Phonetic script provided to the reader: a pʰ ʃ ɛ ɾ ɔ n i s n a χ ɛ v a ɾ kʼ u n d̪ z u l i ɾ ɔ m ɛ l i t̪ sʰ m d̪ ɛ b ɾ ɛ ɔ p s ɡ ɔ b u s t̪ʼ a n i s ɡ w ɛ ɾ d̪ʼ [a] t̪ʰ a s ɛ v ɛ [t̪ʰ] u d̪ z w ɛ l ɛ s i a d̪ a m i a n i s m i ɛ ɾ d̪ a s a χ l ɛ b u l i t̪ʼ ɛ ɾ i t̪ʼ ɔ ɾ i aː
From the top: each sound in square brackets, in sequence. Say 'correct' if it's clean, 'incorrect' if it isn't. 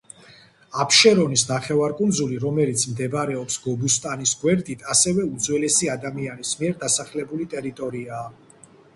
incorrect: i, incorrect: none

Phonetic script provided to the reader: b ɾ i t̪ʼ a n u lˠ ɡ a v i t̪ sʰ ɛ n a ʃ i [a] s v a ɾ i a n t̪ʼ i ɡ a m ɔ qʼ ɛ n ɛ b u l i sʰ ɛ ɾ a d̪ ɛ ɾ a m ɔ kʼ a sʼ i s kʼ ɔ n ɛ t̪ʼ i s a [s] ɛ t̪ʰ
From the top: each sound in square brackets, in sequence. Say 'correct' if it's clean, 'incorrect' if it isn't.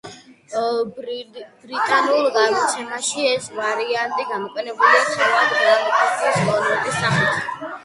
incorrect: ɛ, incorrect: χ

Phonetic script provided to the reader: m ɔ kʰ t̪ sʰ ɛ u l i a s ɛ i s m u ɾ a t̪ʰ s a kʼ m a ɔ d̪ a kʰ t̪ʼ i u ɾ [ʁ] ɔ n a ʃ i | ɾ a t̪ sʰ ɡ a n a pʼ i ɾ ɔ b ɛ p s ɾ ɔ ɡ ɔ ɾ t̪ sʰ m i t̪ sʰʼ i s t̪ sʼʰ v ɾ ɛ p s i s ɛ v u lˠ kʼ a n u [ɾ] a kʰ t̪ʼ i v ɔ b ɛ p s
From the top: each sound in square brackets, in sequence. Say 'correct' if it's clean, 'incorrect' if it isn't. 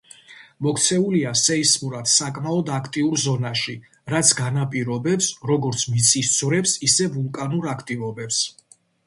incorrect: z, correct

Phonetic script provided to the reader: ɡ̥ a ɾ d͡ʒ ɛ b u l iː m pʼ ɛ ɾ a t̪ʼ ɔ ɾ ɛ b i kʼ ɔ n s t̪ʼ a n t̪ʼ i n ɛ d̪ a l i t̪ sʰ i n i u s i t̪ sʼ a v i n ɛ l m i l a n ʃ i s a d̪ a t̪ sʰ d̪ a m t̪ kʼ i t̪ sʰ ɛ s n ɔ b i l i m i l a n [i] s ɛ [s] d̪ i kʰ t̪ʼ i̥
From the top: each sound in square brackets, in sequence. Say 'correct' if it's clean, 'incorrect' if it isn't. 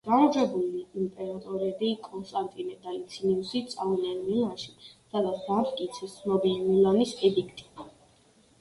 correct, incorrect: none

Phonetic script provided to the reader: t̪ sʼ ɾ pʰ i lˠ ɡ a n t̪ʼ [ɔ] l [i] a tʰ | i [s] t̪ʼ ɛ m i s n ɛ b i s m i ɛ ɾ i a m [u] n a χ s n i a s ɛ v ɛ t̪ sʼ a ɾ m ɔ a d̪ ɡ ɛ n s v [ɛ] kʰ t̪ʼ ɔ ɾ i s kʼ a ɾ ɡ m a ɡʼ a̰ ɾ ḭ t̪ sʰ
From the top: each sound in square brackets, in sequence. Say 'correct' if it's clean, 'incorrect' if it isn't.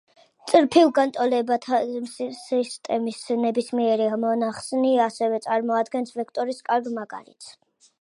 correct, incorrect: ɛ, correct, incorrect: ɔ, correct

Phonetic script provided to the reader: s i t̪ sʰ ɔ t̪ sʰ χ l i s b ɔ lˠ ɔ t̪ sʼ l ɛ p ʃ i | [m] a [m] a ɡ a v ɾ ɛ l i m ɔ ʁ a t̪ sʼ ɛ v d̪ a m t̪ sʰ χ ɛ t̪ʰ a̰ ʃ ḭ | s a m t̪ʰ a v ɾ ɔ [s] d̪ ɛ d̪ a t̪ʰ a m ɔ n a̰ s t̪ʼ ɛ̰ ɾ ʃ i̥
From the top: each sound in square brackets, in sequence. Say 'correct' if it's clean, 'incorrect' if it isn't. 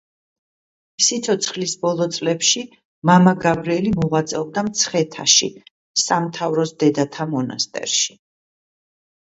correct, correct, correct

